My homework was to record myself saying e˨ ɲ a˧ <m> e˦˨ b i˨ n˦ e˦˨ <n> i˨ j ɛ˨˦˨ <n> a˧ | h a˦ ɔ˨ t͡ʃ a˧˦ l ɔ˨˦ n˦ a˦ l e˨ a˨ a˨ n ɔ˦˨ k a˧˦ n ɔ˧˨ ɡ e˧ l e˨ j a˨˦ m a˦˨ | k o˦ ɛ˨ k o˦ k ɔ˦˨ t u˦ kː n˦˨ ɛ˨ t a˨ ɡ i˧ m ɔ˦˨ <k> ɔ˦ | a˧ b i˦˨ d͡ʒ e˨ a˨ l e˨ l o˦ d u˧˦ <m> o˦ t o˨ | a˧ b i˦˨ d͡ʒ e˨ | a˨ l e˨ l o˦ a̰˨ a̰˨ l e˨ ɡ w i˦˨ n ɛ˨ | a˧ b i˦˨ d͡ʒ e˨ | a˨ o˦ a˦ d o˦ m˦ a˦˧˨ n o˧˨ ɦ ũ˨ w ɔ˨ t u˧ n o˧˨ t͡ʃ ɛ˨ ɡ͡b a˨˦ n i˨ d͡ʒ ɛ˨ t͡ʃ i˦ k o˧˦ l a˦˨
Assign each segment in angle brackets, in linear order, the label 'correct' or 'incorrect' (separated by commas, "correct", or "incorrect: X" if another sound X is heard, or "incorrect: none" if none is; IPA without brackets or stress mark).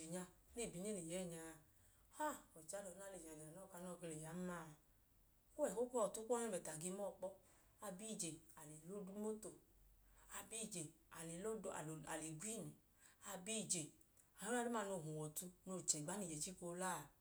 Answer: incorrect: n, correct, incorrect: ɲ, incorrect: k͡p, correct